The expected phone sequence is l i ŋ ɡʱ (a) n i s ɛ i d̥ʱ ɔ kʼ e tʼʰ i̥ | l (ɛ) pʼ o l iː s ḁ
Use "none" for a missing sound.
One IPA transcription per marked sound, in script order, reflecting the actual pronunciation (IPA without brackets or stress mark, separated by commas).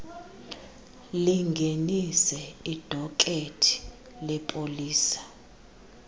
e, ɛ